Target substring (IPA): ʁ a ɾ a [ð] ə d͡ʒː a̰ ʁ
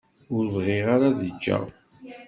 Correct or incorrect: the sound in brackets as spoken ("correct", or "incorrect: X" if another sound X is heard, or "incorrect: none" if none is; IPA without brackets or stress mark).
correct